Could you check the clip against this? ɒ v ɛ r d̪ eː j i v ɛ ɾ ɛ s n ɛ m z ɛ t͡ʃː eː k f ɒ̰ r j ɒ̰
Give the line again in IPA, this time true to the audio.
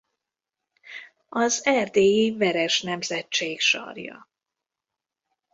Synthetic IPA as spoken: ɒ z ɛ r d̪ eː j i v ɛ ɾ ɛ ʃ n ɛ m z ɛ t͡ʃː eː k ʃ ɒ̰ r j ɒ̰